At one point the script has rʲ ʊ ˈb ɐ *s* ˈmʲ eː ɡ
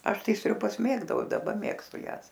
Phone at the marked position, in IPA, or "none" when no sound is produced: s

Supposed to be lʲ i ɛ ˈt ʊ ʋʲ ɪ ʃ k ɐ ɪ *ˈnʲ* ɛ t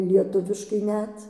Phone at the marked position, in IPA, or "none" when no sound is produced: nʲ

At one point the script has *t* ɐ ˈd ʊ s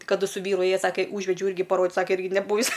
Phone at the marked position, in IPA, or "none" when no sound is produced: k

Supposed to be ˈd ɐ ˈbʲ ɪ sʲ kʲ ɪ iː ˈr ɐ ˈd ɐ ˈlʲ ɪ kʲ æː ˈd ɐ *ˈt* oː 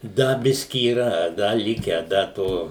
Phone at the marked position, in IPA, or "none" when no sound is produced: t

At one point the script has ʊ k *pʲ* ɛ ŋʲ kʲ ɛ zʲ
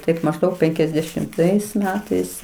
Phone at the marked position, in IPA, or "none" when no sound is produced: pʲ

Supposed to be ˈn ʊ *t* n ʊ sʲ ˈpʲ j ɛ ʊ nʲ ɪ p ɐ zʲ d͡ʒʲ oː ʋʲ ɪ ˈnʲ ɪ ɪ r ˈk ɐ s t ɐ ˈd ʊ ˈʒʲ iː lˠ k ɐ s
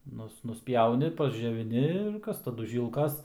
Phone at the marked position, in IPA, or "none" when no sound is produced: s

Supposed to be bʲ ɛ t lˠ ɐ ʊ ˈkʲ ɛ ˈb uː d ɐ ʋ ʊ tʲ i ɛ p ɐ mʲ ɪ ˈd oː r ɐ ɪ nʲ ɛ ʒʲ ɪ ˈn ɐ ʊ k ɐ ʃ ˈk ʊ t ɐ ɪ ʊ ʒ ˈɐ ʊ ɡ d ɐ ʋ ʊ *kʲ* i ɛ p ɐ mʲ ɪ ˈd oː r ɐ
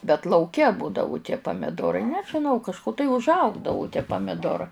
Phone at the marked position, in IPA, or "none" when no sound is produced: tʲ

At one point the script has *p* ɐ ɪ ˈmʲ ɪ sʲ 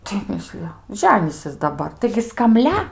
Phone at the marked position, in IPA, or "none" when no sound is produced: t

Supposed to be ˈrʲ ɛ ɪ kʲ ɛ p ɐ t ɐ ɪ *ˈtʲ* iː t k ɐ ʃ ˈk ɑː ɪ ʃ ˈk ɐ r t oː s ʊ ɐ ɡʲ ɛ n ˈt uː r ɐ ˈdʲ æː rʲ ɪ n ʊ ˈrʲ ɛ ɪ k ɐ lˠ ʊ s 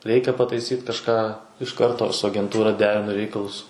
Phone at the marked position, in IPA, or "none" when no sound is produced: sʲ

